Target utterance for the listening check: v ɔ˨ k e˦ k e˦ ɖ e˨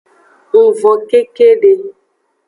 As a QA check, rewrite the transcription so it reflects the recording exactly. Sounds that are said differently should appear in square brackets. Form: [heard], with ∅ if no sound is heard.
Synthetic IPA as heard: v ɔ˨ k e˦ k e˦ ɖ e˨